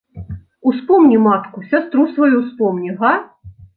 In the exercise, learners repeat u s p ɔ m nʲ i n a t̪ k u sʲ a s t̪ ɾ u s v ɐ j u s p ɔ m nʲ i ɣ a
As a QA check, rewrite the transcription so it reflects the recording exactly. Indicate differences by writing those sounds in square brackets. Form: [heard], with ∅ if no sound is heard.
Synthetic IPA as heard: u s p ɔ m nʲ i [m] a t̪ k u sʲ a s t̪ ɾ u s v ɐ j u s p ɔ m nʲ i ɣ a